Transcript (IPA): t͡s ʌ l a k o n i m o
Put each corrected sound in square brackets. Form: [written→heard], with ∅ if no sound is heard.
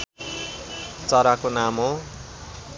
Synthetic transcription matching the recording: t͡s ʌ [l→ɾ] a k o n [i→a] m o

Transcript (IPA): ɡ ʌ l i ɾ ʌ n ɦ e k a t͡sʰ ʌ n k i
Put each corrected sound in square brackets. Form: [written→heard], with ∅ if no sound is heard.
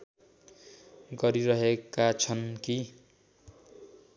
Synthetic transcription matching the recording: ɡ ʌ [l→ɾ] i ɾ ʌ [n→∅] ɦ e k a t͡sʰ ʌ n k i

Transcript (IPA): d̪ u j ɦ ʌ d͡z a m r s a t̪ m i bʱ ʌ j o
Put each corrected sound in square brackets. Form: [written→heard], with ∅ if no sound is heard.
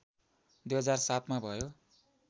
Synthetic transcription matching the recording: d̪ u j ɦ ʌ d͡z a [m→∅] r s a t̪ m [i→a] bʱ ʌ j o

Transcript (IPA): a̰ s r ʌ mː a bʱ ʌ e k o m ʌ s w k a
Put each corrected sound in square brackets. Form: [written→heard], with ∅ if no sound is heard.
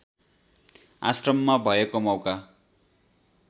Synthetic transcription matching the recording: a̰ s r ʌ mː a bʱ ʌ e k o m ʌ [s→∅] w k a

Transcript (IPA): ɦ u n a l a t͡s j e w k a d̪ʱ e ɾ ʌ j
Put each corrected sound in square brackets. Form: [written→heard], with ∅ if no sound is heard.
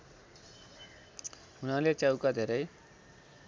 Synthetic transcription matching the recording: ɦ u n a l [a→e] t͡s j [e→a] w k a d̪ʱ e ɾ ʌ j

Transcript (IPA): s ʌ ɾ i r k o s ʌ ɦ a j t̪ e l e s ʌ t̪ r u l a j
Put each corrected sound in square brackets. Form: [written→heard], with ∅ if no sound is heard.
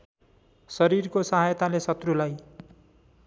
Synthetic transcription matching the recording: s ʌ ɾ i r k o s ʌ ɦ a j t̪ [e→a] l e s ʌ t̪ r u l a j

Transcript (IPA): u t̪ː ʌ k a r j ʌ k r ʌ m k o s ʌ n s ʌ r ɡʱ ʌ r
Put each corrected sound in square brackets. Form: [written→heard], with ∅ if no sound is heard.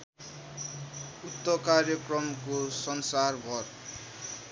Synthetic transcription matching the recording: u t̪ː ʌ k a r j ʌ k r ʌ m k o s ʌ n s [ʌ→a] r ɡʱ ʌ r

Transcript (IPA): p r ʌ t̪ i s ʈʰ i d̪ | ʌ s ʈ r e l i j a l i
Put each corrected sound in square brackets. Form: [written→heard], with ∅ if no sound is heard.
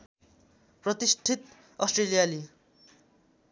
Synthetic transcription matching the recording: p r ʌ t̪ i s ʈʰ i [d̪→t̪] | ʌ s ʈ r e l i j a l i

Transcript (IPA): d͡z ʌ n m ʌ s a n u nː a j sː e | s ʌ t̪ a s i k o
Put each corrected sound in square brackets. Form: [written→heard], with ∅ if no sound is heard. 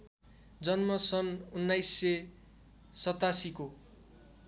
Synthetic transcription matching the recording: d͡z ʌ n m ʌ s [a→ʌ] n u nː a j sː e | s ʌ t̪ a s i k o

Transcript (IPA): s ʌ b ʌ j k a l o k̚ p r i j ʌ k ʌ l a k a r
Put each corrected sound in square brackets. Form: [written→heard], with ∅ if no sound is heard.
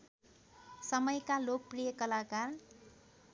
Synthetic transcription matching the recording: s ʌ [b→m] ʌ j k a l o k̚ p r i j ʌ k ʌ l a k a r

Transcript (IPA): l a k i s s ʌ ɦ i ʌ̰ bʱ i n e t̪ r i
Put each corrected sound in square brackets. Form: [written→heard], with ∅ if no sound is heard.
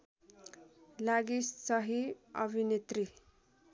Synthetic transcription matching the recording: l a [k→ɡ] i s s ʌ ɦ i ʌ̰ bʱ i n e t̪ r i

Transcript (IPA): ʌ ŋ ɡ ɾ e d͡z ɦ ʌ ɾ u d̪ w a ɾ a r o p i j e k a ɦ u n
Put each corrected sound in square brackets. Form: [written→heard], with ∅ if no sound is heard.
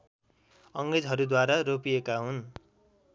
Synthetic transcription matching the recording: ʌ ŋ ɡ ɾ e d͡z ɦ ʌ ɾ u d̪ w a ɾ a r o p i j e k a ɦ u n

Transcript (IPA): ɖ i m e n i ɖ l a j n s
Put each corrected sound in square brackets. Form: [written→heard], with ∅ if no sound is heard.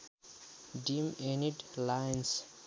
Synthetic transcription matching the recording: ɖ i m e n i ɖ l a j n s

